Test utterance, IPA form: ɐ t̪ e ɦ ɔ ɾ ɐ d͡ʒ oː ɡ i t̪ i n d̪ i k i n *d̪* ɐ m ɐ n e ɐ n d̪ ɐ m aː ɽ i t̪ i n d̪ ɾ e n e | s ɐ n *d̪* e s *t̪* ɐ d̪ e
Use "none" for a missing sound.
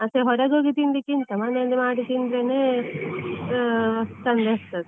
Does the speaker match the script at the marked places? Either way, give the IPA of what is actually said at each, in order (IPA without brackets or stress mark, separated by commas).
t̪, d̪, t̪